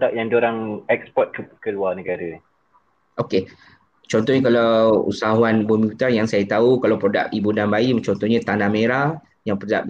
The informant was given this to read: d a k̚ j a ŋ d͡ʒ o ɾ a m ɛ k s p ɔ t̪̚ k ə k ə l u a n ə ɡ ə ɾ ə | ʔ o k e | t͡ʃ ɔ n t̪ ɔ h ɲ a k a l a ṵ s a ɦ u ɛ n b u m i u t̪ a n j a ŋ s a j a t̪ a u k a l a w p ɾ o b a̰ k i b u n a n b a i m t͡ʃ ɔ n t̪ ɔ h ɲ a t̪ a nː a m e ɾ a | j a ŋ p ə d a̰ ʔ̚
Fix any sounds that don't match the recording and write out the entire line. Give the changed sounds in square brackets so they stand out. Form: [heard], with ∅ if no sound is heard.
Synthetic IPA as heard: d a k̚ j a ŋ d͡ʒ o ɾ a [ŋ] ɛ k s p ɔ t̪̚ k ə k ə l u a n ə ɡ [a] ɾ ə | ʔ o k e | t͡ʃ ɔ n t̪ ɔ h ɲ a k a l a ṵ s a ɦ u [a] n b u m i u t̪ a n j a ŋ s a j a t̪ a u k a l a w p ɾ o [d] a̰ k i b u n a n b a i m t͡ʃ ɔ n t̪ ɔ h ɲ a t̪ a [n] a m e ɾ a | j a ŋ p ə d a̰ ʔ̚